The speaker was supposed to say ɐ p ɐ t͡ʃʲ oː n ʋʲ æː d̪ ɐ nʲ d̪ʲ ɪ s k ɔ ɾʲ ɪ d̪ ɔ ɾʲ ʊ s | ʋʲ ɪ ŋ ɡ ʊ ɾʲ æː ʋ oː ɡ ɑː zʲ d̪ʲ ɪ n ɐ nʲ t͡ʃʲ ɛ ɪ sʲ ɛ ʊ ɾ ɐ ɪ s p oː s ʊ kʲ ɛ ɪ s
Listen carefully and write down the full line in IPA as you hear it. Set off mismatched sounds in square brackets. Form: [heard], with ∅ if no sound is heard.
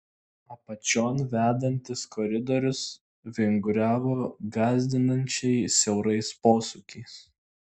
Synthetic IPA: ɐ p ɐ t͡ʃʲ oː n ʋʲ æː d̪ ɐ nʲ [t̪ʲ] ɪ s k ɔ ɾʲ ɪ d̪ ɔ ɾʲ ʊ s | ʋʲ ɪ ŋ ɡ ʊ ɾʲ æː ʋ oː ɡ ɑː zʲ d̪ʲ ɪ n ɐ nʲ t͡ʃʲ ɛ ɪ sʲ ɛ ʊ ɾ ɐ ɪ s p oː s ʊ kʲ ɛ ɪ s